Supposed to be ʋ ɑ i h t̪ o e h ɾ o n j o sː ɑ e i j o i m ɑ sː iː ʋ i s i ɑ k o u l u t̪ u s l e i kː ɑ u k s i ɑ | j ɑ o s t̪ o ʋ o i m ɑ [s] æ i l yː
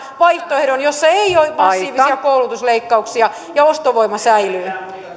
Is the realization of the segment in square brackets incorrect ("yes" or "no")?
no